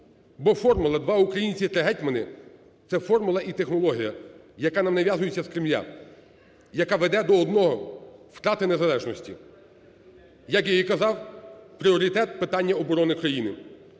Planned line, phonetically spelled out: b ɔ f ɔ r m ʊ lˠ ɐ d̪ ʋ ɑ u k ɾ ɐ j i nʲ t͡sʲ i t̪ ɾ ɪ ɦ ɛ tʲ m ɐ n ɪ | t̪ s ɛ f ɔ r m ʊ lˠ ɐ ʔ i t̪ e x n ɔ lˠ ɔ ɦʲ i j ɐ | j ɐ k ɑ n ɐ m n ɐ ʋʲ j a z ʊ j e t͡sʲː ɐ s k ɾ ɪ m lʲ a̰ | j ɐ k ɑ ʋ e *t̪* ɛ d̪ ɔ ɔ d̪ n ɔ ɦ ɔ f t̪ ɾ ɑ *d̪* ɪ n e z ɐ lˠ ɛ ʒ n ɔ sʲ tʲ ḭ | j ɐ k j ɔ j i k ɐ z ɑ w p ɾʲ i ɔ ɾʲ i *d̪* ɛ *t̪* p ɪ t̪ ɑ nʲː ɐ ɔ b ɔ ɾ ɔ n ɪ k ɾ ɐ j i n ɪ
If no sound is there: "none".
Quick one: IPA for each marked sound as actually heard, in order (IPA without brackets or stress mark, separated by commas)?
d̪, t̪, t̪, t̪